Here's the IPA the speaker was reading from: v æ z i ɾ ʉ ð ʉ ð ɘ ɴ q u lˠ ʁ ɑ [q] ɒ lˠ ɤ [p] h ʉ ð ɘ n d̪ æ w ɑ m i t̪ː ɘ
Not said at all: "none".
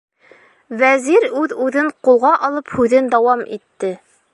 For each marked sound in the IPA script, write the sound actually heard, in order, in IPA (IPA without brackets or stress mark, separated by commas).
ʔ, p